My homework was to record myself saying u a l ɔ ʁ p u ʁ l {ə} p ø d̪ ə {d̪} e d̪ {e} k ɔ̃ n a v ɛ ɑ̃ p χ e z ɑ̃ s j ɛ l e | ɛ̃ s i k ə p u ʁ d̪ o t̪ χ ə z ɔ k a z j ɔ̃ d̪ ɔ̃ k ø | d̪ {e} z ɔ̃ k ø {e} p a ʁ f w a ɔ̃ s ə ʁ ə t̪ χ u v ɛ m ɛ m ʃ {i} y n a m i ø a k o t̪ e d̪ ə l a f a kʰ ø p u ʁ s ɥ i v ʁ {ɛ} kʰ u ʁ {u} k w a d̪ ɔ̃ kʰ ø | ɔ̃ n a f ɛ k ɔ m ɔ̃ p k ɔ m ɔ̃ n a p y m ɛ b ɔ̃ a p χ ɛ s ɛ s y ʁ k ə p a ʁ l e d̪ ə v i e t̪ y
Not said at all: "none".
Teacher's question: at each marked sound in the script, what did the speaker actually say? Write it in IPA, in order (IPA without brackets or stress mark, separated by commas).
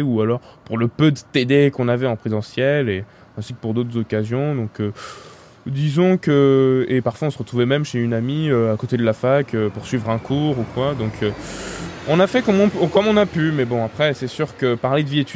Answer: ə, t̪, e, i, e, e, ɛ̃, u